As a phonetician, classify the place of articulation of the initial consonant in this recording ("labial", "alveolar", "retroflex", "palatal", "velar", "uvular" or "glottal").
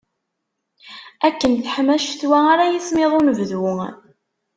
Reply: velar